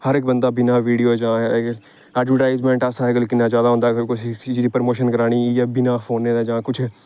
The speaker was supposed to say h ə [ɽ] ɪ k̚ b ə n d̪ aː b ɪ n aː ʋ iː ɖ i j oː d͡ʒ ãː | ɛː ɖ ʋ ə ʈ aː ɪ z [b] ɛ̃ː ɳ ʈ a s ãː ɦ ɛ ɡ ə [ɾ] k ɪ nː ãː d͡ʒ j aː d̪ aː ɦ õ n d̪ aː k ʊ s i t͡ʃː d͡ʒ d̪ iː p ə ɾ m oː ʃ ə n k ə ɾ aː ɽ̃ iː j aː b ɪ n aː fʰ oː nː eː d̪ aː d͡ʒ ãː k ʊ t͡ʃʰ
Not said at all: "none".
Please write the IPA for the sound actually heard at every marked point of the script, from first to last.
ɾ, m, l

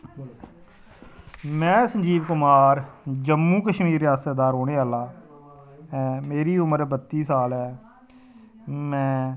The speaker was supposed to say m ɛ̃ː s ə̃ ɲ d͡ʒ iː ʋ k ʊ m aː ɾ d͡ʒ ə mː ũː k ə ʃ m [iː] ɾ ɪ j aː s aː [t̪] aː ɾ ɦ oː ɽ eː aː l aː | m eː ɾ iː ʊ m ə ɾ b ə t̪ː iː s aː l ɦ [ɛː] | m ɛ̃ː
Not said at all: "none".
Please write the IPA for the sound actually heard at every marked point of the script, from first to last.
iː, d̪, ɛː

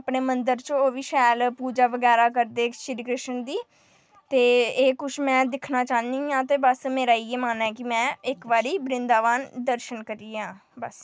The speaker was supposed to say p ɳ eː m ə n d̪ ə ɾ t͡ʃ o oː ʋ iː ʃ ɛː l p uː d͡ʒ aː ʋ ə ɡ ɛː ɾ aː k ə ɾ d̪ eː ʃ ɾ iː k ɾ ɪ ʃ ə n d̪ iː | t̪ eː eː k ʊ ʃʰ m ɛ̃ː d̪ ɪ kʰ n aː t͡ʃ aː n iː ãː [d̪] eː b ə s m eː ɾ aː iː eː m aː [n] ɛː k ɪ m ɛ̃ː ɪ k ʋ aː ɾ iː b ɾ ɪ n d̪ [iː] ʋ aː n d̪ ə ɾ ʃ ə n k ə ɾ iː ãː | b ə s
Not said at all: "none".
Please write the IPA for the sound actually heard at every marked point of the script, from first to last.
t̪, n, aː

